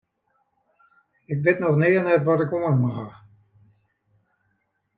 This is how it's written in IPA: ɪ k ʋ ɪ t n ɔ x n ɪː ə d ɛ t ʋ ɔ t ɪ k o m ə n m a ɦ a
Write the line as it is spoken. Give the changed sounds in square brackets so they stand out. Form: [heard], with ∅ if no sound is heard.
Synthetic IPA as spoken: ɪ k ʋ ɪ t n ɔ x n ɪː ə [n] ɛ t ʋ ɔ t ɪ k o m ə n m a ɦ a